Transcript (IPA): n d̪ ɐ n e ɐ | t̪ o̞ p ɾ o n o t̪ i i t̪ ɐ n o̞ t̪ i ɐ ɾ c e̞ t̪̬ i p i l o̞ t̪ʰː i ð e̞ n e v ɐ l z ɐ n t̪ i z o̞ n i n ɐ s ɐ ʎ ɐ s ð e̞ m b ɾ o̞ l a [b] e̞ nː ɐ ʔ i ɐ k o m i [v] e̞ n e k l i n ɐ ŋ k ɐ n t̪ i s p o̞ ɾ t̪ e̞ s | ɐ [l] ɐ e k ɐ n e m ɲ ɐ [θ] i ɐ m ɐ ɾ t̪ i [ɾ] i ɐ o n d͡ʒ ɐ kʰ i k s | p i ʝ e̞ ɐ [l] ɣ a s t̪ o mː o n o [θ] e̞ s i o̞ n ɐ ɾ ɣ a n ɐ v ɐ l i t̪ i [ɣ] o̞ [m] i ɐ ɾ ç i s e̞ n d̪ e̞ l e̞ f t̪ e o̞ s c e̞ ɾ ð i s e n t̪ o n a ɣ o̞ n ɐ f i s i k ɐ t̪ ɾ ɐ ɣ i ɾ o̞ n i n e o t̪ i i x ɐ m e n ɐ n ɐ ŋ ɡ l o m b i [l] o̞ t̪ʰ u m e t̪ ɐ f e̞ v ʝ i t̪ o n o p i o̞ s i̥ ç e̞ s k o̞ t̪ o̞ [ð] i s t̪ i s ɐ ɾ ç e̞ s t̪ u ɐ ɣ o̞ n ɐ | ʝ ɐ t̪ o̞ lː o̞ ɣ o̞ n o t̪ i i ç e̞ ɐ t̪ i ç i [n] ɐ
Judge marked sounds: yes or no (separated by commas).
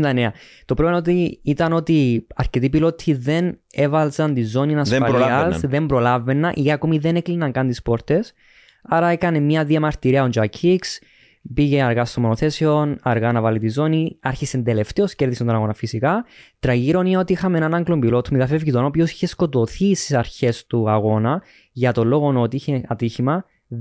no, no, no, no, yes, no, yes, no, no, yes, no, no